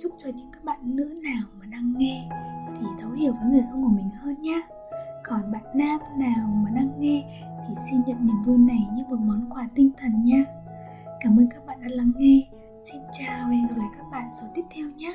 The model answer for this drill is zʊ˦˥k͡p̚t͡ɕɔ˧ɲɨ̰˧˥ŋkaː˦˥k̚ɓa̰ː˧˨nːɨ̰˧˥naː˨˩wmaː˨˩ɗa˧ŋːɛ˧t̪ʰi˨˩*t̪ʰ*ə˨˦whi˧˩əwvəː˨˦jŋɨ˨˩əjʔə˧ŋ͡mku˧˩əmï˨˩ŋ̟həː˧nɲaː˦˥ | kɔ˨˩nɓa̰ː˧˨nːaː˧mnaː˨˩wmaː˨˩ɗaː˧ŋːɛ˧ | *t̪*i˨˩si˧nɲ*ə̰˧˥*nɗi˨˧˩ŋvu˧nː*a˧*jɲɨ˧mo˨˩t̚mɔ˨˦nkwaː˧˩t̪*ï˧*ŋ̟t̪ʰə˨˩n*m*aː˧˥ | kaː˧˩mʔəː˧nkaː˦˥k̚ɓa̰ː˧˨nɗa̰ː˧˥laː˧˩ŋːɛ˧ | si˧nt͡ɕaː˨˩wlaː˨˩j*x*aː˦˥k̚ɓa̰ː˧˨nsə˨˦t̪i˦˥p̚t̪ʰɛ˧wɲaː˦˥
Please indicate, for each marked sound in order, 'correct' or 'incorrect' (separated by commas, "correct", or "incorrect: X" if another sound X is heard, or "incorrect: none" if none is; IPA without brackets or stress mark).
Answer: correct, incorrect: t̪ʰ, incorrect: ə̰˧˨, incorrect: a˨˩, correct, incorrect: ɲ, incorrect: k